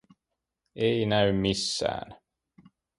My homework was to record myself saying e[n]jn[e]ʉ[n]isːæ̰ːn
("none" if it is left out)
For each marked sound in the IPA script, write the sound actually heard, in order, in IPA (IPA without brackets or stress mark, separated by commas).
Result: none, æ, m